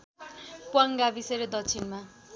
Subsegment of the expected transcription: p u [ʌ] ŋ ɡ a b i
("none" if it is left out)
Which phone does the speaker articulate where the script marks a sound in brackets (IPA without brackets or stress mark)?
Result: a